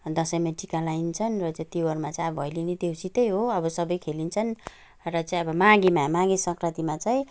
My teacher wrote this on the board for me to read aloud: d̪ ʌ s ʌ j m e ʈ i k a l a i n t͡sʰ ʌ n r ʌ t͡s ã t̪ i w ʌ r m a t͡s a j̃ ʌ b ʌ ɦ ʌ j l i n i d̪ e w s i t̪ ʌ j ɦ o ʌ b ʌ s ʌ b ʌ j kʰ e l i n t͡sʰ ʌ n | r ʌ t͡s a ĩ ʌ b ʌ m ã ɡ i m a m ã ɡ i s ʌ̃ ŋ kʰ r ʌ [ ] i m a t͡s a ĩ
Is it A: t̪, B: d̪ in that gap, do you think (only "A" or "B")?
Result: A